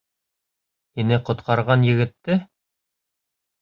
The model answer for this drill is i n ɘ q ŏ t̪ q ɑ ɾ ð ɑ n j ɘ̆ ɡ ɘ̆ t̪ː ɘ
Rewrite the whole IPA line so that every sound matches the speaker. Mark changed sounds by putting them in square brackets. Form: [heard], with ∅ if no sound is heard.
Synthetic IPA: i n ɘ q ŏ t̪ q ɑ ɾ [ʁ] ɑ n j ɘ̆ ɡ ɘ̆ t̪ː ɘ